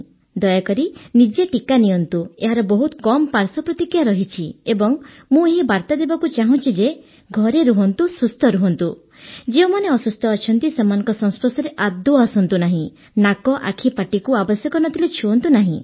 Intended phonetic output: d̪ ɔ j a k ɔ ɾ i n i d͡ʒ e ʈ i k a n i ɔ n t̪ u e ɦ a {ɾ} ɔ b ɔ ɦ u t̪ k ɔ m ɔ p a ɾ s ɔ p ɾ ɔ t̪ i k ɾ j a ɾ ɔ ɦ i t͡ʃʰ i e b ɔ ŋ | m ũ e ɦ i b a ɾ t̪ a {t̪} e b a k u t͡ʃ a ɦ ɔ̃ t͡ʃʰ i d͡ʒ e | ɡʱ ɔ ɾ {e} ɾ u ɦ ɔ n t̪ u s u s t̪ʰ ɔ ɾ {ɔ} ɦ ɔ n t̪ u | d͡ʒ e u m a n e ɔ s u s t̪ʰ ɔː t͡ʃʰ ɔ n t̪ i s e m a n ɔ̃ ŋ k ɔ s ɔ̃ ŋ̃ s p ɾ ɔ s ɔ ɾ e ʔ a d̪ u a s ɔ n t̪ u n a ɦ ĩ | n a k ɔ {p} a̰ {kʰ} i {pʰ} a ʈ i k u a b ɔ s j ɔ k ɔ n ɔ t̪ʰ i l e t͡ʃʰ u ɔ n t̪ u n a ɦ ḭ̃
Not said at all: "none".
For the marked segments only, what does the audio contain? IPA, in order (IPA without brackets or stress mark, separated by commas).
ɾ, d̪, e, u, ʔ, kʰ, p